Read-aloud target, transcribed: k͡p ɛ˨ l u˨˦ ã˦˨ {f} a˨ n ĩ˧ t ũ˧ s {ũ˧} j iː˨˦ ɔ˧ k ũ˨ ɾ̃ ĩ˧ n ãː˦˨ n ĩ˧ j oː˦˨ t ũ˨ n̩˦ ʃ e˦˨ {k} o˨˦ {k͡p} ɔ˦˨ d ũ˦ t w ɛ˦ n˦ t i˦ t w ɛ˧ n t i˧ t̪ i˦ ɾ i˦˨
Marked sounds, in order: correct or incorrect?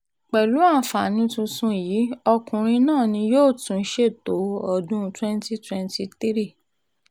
correct, correct, incorrect, incorrect

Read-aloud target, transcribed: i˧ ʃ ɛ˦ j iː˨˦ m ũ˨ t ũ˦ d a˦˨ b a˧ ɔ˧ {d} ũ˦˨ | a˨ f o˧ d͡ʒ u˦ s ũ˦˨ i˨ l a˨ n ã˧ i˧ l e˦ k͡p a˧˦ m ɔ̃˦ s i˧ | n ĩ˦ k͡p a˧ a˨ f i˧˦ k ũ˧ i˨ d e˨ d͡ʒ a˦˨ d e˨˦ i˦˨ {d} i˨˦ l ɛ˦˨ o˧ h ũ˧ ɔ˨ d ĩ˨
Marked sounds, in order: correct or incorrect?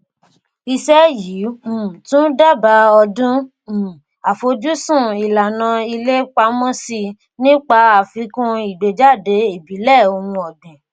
correct, incorrect

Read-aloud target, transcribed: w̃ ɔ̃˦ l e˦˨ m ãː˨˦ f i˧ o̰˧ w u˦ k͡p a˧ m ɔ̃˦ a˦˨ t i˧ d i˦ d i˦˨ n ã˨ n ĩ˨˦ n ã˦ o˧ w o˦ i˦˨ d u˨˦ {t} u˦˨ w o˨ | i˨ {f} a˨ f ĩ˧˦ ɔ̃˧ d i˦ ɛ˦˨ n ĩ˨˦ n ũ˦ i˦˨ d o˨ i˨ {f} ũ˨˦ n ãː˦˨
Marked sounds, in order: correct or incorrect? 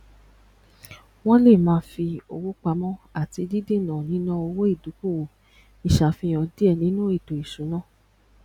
incorrect, incorrect, incorrect

